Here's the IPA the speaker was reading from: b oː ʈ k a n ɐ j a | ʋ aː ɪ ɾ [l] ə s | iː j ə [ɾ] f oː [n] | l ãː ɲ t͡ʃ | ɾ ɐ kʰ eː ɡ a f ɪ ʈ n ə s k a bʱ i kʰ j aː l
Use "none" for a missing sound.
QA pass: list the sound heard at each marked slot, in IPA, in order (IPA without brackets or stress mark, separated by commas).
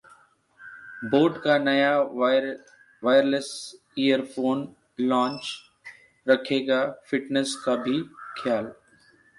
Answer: l, ɾ, n